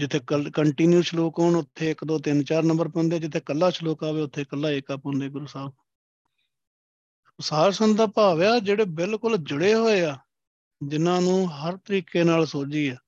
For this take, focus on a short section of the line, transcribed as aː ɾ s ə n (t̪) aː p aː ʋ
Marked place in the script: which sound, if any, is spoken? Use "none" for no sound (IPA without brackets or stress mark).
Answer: d̪